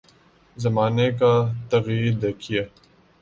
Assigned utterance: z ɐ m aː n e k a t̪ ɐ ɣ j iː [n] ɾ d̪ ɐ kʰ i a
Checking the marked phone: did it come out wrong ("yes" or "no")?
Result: yes